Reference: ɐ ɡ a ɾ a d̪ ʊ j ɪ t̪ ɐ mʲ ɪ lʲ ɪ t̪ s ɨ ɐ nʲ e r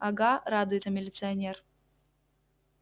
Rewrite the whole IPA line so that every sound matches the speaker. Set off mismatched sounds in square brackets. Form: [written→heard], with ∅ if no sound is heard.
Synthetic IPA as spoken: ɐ ɡ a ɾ a d̪ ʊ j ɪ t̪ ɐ mʲ ɪ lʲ ɪ t̪ s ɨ ɐ nʲ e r